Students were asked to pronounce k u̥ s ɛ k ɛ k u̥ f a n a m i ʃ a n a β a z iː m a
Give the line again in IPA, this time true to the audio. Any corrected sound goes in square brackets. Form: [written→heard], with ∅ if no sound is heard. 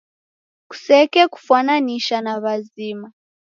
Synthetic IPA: k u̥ s ɛ k ɛ k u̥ f a n a [m→n] i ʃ a n a β a z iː m a